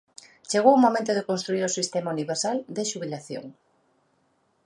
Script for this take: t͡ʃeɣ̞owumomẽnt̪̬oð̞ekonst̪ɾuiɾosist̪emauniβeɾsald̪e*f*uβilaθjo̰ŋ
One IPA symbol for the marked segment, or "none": ʃ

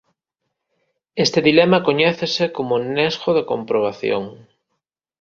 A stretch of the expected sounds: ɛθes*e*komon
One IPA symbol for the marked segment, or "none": e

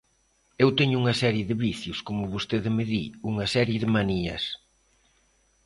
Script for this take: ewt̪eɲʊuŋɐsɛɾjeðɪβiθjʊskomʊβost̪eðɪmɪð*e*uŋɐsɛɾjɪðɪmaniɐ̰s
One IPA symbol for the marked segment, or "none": i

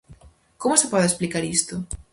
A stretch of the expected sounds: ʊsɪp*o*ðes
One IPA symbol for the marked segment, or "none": ɔ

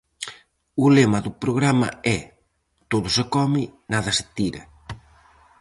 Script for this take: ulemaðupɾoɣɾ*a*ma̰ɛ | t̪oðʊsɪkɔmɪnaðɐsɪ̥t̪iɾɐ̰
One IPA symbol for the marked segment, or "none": a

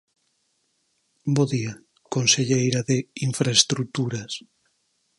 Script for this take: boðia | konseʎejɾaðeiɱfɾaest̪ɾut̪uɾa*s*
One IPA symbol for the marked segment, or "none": s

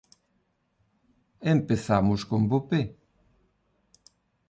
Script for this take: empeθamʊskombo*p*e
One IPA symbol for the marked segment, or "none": p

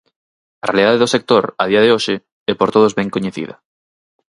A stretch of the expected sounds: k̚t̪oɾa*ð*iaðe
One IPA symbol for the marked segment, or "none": ð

